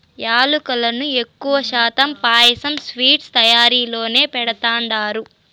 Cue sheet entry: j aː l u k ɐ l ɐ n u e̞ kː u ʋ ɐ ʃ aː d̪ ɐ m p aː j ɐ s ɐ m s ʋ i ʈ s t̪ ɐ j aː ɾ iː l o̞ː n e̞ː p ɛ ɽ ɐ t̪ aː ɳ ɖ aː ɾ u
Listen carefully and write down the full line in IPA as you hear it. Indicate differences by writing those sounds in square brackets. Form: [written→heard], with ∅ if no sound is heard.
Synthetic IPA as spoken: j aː l u k ɐ l ɐ n u e̞ kː u ʋ ɐ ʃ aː [d̪→t̪] ɐ m p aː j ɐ s ɐ m s ʋ [i→iː] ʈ s t̪ ɐ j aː ɾ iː l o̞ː n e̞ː p ɛ ɽ ɐ t̪ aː ɳ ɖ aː ɾ u